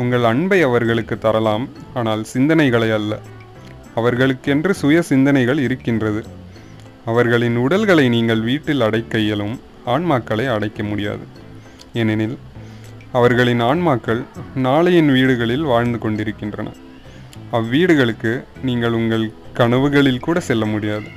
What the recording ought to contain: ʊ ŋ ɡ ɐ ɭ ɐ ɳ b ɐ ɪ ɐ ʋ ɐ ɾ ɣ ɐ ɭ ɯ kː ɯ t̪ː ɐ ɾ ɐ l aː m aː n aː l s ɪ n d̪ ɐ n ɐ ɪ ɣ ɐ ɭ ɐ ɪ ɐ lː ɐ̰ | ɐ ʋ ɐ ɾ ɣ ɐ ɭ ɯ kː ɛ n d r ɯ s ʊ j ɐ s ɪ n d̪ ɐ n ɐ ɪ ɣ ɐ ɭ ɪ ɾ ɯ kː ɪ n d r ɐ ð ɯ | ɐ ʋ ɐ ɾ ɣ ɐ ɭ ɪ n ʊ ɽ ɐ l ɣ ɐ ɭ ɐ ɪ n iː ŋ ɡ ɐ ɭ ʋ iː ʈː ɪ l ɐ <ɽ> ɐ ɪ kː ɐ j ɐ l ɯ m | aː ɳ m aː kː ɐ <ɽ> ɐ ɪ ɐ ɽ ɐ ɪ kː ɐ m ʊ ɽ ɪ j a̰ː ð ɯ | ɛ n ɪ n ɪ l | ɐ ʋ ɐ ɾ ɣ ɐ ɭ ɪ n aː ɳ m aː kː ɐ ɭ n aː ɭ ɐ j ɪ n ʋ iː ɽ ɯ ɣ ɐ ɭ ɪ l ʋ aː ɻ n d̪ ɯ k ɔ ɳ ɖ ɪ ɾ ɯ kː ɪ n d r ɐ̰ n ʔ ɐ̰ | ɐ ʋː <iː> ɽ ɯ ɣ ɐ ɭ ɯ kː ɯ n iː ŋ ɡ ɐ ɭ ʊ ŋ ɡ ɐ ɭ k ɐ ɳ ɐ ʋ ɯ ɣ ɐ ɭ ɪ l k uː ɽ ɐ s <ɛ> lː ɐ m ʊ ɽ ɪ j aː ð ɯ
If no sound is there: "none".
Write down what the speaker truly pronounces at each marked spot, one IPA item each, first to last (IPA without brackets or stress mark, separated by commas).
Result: ɽ, ɭ, iː, ɛ